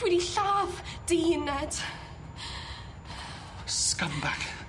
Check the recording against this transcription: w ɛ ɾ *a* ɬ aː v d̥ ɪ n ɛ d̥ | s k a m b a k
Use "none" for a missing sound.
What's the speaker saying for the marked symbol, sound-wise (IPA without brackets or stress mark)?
i